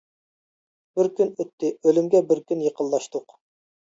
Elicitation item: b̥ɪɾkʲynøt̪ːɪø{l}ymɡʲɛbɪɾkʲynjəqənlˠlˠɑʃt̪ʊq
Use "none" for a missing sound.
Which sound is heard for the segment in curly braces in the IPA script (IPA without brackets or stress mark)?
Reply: l